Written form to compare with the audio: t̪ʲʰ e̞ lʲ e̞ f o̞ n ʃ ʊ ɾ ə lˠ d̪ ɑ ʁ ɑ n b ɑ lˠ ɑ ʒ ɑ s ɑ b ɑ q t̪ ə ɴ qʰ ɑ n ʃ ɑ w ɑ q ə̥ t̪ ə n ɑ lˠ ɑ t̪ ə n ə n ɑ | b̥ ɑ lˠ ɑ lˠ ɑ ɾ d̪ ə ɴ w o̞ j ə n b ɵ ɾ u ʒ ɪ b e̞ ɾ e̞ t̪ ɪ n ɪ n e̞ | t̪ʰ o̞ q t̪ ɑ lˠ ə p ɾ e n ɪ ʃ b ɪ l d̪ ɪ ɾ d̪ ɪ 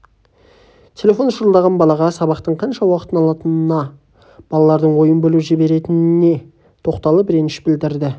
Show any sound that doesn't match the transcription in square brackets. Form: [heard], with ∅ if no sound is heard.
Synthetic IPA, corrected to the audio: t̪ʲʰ e̞ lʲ e̞ f o̞ n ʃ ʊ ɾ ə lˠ d̪ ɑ ʁ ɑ n b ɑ lˠ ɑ [ʁ] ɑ s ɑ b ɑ q t̪ ə ɴ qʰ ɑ n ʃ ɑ w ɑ q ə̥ t̪ ə n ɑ lˠ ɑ t̪ ə n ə n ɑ | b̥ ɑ lˠ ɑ lˠ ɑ ɾ d̪ ə ɴ w o̞ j ə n b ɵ [l] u ʒ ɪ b e̞ ɾ e̞ t̪ ɪ n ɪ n e̞ | t̪ʰ o̞ q t̪ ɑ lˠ ə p ɾ e n ɪ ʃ b ɪ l d̪ ɪ ɾ d̪ ɪ